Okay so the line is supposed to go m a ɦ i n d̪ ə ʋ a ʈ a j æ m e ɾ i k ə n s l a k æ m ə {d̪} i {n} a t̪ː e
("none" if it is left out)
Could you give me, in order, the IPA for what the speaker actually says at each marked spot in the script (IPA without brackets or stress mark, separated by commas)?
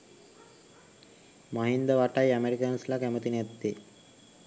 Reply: t̪, n